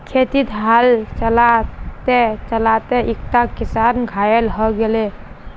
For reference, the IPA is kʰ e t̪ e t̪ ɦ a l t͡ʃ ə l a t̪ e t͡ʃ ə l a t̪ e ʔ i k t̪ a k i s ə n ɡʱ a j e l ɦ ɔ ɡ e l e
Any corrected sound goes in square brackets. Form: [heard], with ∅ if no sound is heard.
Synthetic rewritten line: kʰ e t̪ [i] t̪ ɦ a l t͡ʃ ə l a t̪ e t͡ʃ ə l a t̪ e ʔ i k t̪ a k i s [a] n ɡʱ a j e l ɦ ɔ ɡ e l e